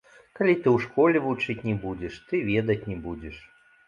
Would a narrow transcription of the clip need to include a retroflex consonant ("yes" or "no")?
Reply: yes